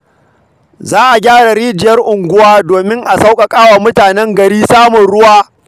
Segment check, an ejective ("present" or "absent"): present